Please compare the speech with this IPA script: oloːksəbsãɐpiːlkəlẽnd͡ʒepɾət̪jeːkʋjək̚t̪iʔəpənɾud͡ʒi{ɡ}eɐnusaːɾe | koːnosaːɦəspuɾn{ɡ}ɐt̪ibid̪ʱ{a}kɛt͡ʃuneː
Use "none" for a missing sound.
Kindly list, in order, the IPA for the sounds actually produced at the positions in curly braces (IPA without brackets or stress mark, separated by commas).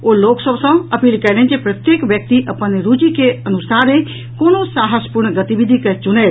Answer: k, ɡ, i